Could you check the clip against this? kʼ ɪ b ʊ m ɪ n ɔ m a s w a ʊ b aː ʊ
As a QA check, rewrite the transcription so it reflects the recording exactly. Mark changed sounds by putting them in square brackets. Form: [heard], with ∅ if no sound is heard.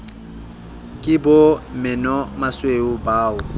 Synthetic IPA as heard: kʼ ɪ b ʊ m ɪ n ɔ m a s w [e] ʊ b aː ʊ